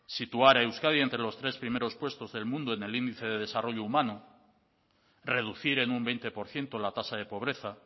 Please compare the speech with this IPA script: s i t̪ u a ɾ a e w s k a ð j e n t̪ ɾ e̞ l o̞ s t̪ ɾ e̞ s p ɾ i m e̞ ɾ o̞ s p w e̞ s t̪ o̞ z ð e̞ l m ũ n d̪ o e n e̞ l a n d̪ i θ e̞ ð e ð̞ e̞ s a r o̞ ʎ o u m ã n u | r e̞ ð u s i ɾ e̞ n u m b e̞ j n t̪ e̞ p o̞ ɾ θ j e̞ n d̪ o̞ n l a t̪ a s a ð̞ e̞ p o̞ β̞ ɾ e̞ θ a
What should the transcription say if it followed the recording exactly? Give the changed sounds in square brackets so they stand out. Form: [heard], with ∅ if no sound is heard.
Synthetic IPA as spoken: s i t̪ u a ɾ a e w s k a ð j e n t̪ ɾ e̞ l o̞ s t̪ ɾ e̞ s p ɾ i m e̞ ɾ o̞ s p w e̞ s t̪ o̞ z ð e̞ l m ũ n d̪ o e n e̞ l [i] n d̪ i θ e̞ ð e ð̞ e̞ s a r o̞ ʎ o u m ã n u | r e̞ ð u [θ] i ɾ e̞ n u m b e̞ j n t̪ e̞ p o̞ ɾ θ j e̞ n [t̪] o̞ [∅] l a t̪ a s a ð̞ e̞ p o̞ β̞ ɾ e̞ θ a